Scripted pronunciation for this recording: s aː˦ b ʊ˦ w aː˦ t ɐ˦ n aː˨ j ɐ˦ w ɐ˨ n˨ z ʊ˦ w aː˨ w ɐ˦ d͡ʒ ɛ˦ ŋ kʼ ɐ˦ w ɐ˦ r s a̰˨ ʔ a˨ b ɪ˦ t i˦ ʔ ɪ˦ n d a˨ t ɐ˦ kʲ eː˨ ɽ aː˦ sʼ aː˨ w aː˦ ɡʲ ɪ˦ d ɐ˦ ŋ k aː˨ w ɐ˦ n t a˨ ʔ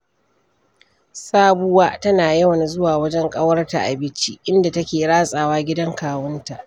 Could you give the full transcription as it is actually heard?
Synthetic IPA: s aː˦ b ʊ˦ w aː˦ t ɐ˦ n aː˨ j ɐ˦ w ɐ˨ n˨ z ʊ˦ w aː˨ w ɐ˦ d͡ʒ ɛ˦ ŋ kʼ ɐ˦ w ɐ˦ r t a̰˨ ʔ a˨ b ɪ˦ t͡ʃ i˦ ʔ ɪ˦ n d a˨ t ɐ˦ kʲ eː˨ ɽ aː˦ sʼ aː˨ w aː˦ ɡʲ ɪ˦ d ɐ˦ ŋ k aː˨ w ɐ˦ n t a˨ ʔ